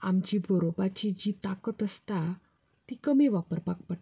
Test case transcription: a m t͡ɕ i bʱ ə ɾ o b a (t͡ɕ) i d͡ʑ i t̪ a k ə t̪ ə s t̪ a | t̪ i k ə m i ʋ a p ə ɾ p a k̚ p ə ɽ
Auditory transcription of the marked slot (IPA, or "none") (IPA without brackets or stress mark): t͡ɕ